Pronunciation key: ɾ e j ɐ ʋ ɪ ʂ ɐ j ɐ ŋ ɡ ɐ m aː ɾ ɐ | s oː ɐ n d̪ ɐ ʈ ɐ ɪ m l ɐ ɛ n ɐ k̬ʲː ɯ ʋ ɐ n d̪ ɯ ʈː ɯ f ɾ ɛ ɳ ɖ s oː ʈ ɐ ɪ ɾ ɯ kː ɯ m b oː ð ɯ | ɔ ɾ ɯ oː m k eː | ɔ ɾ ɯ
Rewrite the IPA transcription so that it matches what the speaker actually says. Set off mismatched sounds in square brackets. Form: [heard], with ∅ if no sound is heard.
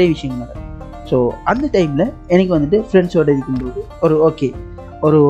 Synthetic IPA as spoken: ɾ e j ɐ ʋ ɪ ʂ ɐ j ɐ ŋ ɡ ɐ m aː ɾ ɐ | s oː ɐ n d̪ ɐ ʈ ɐ ɪ m l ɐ ɛ n ɐ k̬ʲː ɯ ʋ ɐ n d̪ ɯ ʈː ɯ f ɾ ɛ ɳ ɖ s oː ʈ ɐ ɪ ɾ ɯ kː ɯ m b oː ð ɯ | ɔ ɾ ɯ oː [∅] k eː | ɔ ɾ ɯ